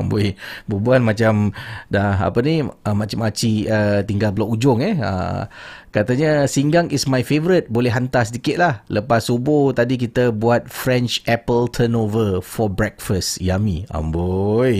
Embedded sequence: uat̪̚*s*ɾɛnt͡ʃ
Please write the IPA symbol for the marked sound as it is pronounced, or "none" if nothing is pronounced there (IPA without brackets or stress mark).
f